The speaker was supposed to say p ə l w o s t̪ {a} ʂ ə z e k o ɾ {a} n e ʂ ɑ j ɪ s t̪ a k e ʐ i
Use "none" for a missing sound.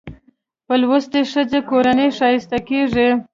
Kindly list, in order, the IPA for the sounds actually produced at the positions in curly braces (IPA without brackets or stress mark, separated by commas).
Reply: e, a